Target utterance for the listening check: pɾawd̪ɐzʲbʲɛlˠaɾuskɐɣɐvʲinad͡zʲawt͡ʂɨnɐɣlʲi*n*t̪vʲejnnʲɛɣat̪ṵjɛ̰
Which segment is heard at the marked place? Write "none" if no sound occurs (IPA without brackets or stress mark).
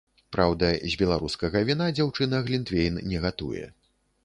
n